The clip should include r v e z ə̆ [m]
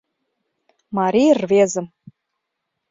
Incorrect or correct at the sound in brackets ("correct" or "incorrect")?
correct